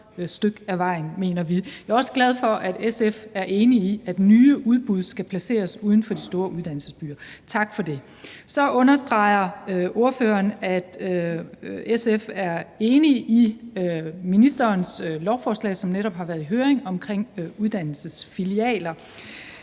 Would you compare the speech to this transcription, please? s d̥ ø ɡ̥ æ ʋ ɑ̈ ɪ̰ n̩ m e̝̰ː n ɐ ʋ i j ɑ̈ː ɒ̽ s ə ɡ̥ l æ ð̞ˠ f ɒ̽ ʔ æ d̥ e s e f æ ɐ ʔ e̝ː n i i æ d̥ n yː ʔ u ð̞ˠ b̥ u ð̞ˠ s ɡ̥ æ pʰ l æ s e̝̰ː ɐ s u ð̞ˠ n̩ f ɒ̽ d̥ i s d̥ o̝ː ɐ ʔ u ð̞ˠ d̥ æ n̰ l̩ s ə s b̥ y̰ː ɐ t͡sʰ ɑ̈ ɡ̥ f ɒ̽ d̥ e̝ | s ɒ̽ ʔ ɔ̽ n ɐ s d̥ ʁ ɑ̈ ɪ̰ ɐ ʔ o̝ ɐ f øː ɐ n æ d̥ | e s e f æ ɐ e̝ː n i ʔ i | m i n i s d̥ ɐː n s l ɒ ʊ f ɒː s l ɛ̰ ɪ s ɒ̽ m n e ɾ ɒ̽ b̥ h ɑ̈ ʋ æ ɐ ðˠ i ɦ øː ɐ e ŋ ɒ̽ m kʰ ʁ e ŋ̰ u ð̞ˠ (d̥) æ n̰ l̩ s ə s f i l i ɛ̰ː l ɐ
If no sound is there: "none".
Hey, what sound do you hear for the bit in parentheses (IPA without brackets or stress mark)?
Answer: d̥